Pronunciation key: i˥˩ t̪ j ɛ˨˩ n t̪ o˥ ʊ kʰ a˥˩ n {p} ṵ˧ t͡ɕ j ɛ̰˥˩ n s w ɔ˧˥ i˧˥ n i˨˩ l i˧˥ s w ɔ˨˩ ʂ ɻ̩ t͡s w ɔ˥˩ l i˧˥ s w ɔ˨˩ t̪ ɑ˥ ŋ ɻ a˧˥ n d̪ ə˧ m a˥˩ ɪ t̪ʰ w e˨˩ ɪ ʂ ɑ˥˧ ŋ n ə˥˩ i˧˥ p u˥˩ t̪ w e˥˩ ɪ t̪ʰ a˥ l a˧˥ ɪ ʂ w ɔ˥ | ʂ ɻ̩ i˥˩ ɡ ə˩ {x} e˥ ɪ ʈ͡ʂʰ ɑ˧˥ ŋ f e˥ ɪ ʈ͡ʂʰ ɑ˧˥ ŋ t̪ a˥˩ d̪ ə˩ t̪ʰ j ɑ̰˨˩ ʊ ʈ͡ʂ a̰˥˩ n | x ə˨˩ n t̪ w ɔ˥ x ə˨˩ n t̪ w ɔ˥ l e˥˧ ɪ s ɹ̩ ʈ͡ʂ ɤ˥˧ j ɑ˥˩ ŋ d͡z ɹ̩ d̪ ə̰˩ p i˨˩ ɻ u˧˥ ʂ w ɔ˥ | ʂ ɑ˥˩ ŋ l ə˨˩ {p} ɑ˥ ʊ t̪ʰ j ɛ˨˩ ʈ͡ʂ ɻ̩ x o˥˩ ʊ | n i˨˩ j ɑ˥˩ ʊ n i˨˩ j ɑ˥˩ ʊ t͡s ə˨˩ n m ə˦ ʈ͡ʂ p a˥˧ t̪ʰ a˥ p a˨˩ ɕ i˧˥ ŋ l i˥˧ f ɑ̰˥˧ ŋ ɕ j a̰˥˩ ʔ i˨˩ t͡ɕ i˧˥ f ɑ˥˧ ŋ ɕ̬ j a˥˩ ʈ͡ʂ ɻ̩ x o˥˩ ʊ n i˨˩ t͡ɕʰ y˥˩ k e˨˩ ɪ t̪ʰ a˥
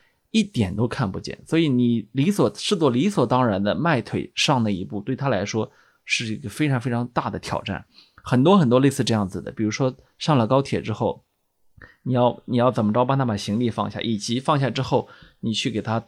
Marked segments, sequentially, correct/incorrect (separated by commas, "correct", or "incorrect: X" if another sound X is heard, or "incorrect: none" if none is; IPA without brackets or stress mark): correct, incorrect: f, incorrect: k